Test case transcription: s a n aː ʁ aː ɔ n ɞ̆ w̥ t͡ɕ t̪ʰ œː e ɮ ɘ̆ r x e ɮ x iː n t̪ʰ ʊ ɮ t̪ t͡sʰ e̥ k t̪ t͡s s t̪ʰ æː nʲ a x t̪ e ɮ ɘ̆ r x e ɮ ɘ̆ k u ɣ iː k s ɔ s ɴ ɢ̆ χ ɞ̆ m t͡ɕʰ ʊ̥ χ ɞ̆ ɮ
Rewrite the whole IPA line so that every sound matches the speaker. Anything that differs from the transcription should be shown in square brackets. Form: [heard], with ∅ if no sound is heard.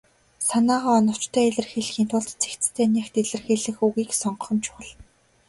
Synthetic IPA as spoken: s a n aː ʁ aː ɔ n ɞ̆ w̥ t͡ɕ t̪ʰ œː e ɮ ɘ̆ r x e ɮ x iː n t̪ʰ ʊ ɮ t̪ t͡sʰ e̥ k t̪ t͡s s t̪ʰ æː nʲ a x t̪ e ɮ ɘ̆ r x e ɮ ɘ̆ [x] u ɣ iː k s ɔ [∅] ɴ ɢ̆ χ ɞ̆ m t͡ɕʰ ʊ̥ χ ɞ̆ ɮ